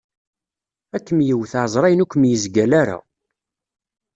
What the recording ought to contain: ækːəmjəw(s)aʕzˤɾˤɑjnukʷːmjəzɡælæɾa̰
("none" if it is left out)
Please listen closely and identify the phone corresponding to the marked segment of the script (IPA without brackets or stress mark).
θ